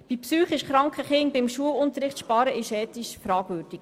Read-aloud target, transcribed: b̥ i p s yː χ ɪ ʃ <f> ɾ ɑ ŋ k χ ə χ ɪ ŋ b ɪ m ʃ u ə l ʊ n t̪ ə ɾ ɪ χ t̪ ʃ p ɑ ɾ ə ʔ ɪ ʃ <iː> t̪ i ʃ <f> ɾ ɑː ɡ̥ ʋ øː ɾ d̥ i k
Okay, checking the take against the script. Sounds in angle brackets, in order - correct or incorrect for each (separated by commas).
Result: incorrect, incorrect, correct